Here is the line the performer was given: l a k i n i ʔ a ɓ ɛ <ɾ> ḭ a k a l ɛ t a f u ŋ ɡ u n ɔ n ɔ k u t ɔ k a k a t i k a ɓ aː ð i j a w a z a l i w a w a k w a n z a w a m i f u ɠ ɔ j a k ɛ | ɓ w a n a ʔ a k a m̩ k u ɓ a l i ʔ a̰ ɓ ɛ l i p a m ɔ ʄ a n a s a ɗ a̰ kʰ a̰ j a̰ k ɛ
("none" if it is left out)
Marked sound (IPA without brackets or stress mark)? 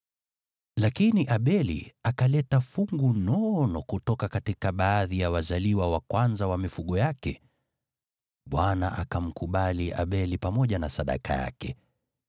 l